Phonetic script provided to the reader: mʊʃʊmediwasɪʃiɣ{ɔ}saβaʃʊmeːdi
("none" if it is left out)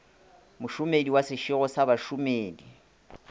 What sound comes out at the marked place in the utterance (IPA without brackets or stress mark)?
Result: ɔ